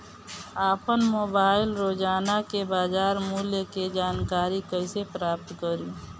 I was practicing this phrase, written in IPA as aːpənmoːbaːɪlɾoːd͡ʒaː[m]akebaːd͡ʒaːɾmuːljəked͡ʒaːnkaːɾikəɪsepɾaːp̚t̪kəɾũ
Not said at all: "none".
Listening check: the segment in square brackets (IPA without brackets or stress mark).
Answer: n